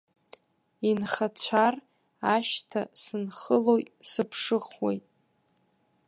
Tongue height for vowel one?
high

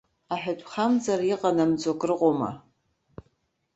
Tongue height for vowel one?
low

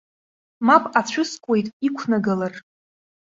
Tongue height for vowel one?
low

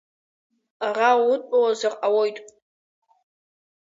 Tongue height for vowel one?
low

